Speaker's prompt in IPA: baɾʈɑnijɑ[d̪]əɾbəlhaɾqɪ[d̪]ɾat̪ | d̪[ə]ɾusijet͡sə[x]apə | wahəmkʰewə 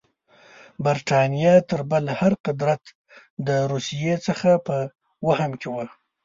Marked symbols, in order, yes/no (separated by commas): no, yes, yes, yes